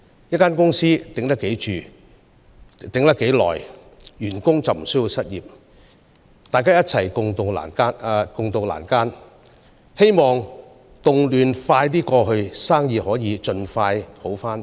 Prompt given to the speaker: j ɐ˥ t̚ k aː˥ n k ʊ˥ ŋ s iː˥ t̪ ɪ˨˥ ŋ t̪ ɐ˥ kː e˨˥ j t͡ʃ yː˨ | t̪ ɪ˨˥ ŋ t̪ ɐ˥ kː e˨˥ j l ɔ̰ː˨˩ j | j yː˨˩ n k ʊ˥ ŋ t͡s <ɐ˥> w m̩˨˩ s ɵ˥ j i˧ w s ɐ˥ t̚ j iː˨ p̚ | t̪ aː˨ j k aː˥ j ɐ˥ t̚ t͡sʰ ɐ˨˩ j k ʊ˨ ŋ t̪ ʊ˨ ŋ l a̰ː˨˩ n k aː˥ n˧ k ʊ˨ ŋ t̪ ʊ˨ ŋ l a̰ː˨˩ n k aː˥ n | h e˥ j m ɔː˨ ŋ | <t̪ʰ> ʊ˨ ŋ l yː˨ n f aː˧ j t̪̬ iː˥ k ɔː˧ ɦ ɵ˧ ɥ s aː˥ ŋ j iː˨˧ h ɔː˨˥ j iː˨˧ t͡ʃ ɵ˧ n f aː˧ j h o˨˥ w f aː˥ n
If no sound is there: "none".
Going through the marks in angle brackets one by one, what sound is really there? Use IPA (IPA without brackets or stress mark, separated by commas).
ɐ˨, t̪